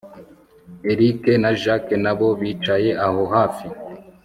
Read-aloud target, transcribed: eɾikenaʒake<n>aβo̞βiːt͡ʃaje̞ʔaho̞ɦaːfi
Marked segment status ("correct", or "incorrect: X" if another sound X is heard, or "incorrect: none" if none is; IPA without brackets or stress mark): correct